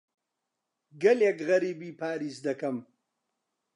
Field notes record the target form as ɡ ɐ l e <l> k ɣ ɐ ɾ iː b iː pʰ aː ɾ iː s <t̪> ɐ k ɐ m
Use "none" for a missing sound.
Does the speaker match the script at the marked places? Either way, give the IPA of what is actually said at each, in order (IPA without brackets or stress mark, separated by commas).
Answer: none, d̪